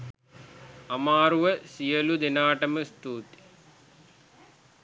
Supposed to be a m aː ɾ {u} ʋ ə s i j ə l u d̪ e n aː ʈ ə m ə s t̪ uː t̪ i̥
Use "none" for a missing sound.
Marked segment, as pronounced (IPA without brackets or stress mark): u